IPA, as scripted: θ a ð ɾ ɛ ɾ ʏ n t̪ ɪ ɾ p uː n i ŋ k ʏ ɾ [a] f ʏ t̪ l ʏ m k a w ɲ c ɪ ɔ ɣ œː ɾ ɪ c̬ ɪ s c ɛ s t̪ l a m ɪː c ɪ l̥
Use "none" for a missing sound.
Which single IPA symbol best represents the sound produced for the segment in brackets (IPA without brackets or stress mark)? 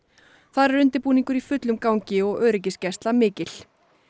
i